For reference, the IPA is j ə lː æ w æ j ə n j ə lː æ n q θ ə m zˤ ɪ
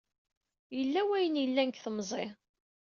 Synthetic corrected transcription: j ə lː æ w æ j ə n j ə lː æ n k θ ə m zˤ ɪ